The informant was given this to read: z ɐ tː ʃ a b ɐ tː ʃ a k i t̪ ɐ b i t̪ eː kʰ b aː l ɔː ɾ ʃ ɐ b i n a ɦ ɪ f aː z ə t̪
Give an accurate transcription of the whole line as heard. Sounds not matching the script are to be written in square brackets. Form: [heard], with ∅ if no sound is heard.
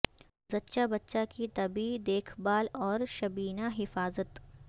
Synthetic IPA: z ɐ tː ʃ a b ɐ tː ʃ a k i t̪ ɐ b i [d̪] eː kʰ b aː l ɔː ɾ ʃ ɐ b [iː] n a ɦ ɪ f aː z ə t̪